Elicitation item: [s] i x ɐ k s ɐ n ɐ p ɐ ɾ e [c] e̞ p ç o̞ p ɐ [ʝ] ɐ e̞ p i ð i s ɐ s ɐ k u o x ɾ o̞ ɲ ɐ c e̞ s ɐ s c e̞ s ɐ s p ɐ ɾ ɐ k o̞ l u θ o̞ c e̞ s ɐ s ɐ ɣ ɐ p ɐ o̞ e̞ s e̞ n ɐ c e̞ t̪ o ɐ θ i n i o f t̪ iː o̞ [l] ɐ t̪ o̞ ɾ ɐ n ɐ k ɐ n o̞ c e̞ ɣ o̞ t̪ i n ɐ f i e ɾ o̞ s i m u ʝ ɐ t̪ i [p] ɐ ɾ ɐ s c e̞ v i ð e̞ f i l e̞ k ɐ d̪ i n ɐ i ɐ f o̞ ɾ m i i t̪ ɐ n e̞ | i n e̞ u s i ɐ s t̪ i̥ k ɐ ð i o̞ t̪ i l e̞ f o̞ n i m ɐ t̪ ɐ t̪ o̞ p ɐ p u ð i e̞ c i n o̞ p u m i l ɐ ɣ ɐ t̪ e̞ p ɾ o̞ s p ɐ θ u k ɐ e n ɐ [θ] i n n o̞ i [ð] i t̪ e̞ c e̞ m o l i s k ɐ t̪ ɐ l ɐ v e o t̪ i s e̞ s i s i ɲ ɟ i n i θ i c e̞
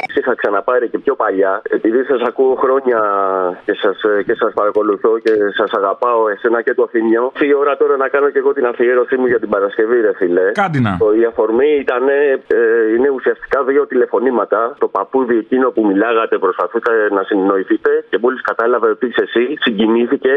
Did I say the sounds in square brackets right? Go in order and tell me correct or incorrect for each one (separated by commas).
correct, correct, incorrect, incorrect, incorrect, incorrect, incorrect